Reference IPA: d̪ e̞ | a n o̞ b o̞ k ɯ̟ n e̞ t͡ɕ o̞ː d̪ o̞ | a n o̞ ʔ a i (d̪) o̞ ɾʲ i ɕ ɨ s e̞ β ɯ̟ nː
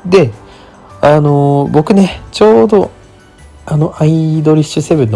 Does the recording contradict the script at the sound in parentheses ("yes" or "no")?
no